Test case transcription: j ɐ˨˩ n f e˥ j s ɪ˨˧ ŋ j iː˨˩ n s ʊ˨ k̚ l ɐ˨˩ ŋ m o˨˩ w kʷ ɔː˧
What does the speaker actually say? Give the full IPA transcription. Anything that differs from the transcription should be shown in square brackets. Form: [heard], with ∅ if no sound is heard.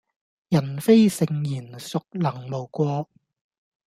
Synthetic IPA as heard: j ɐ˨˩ n f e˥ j s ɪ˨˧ ŋ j iː˨˩ n s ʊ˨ k̚ l ɐ˨˩ ŋ m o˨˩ w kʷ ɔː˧